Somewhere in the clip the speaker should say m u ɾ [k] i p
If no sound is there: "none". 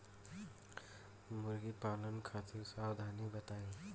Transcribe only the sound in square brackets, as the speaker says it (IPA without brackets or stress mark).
ɡ